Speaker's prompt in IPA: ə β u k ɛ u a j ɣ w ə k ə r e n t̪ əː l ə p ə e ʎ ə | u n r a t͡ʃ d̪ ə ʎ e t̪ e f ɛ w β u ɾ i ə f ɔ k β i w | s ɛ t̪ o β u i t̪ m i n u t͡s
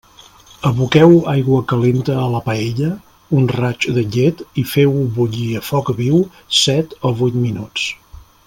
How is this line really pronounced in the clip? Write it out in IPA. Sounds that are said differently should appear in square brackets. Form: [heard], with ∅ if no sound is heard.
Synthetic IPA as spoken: ə β u k ɛ [w] a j ɣ w ə k ə [l] e n t̪ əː l ə p ə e ʎ ə | u n r a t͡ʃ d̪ ə ʎ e t̪ [i] f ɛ w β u [ʎ] i ə f ɔ k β i w | s ɛ t̪ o β u [j] t̪ m i n u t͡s

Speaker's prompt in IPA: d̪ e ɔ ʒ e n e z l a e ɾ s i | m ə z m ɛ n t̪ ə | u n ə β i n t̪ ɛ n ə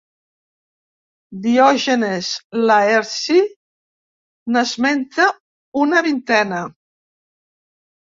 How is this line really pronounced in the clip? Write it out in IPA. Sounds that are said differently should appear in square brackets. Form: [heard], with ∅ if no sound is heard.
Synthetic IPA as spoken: d̪ [i] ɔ ʒ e n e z l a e ɾ s i | [n] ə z m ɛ n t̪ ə | u n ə β i n t̪ ɛ n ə

